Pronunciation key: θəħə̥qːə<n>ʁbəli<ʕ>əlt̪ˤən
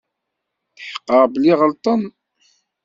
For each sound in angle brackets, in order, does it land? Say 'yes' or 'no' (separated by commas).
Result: no, no